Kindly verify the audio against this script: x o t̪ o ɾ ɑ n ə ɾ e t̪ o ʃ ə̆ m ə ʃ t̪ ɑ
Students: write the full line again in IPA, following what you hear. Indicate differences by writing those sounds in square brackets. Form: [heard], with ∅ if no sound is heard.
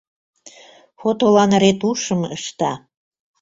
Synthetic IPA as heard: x o t̪ o [l] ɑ n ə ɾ e t̪ [u] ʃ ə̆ m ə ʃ t̪ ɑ